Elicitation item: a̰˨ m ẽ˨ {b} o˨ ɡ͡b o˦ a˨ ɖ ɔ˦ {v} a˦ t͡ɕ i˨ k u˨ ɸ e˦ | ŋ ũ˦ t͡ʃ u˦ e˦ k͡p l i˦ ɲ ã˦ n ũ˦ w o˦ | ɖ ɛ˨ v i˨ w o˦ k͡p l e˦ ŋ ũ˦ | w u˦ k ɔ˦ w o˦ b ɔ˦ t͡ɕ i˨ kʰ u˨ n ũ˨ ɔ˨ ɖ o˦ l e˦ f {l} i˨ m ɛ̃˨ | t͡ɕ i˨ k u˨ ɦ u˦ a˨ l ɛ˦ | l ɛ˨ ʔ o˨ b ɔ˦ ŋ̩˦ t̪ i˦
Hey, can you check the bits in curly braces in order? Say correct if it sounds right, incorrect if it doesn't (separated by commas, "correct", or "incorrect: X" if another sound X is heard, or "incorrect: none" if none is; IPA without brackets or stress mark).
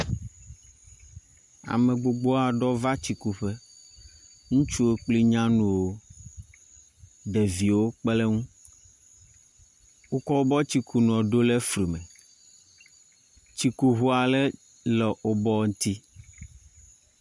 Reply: incorrect: ɡ͡b, correct, incorrect: ɾ